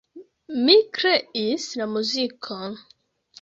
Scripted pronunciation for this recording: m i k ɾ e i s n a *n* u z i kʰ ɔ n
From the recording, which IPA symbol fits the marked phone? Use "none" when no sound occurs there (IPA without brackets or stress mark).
m